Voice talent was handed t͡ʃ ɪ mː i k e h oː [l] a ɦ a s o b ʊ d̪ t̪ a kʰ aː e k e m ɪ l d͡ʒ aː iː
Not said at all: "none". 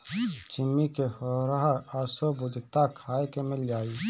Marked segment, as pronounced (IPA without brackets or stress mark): ɾ